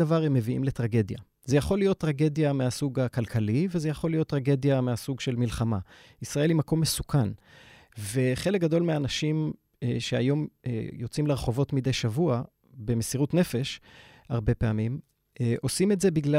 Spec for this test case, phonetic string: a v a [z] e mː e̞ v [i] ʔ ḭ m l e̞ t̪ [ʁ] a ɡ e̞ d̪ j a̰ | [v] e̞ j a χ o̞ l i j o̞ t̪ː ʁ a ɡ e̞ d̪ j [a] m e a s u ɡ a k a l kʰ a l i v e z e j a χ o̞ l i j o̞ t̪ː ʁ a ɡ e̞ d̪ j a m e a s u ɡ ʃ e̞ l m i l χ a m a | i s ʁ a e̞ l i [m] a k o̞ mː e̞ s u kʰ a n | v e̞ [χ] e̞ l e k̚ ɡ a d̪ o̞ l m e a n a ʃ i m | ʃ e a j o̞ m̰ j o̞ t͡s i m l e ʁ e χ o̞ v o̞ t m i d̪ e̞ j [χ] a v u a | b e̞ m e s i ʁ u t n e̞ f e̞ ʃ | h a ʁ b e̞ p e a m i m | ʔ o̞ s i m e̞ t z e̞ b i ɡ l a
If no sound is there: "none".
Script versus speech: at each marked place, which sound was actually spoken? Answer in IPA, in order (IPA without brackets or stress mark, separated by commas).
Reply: ʁ, i, ʁ, z, a, m, χ, ʃ